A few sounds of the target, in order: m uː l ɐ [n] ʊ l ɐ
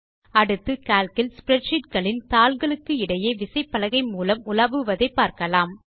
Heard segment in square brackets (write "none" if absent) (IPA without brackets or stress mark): m